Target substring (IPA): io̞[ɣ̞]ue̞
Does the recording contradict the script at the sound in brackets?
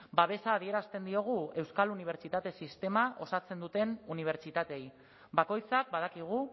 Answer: no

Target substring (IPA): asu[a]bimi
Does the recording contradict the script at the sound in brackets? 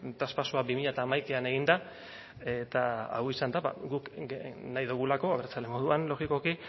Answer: no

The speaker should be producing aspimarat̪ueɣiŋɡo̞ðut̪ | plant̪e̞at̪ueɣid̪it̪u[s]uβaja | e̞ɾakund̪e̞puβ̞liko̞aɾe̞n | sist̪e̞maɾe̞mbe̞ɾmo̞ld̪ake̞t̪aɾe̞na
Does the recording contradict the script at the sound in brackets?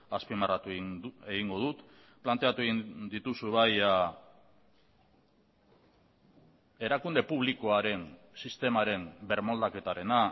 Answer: no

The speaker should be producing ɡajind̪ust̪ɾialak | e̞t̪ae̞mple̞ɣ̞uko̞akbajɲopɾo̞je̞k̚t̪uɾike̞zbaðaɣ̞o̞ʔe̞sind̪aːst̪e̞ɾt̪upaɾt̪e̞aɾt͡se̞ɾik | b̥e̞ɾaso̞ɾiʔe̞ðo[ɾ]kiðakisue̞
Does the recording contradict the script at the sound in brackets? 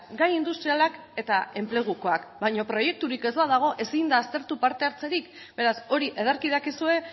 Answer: no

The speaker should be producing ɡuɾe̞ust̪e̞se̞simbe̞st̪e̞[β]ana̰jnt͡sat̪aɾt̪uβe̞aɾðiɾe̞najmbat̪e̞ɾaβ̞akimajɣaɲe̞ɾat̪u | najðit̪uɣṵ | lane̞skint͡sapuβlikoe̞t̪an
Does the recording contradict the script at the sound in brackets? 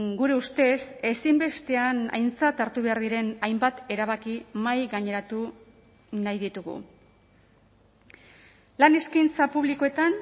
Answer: yes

